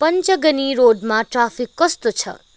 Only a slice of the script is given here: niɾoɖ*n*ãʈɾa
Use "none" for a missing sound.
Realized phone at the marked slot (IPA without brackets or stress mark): m